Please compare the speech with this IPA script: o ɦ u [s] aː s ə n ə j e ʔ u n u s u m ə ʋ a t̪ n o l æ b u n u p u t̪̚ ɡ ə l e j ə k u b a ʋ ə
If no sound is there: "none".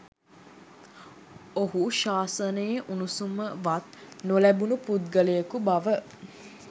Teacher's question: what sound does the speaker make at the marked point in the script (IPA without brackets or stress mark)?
ʃ